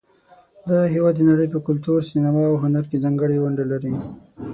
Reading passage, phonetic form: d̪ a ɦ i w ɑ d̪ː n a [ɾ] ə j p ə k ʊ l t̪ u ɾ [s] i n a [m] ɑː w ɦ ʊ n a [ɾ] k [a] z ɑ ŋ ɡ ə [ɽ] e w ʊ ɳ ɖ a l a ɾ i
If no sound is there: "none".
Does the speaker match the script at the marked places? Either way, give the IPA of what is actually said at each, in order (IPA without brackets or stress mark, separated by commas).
ɽ, s, m, ɾ, e, ɽ